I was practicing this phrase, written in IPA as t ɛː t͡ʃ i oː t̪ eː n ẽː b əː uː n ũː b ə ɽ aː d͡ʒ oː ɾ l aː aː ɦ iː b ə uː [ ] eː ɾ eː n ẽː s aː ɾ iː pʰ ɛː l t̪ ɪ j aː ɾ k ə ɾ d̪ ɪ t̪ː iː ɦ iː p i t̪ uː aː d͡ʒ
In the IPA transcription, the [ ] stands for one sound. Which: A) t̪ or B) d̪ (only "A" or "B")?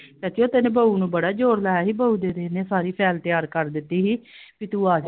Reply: B